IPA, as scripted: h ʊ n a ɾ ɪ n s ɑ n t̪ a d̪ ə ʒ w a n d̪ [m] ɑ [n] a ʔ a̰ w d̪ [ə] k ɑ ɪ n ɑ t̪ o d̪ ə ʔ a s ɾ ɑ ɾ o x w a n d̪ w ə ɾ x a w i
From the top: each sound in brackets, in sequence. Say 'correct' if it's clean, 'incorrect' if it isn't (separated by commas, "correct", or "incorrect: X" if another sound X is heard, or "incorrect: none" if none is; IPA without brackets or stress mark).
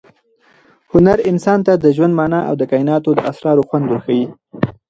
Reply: correct, correct, correct